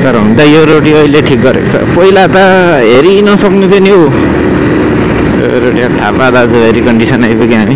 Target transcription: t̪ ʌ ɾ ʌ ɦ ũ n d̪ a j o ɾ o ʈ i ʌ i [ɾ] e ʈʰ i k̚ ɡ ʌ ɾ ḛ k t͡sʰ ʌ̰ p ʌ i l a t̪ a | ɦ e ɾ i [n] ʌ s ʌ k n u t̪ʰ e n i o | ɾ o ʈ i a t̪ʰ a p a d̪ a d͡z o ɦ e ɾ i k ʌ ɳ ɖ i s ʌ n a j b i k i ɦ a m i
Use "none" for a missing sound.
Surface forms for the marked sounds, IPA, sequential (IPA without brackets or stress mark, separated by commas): l, n